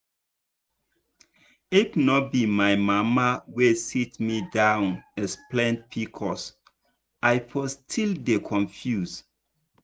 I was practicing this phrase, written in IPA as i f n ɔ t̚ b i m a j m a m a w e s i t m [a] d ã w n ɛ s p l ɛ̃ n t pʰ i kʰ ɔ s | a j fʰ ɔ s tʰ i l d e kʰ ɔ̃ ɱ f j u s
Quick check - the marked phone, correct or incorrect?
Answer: incorrect